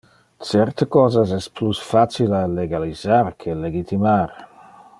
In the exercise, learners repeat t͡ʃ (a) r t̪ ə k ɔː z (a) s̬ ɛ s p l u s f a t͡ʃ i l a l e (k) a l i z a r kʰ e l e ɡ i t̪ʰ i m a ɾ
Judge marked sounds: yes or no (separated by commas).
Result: no, yes, no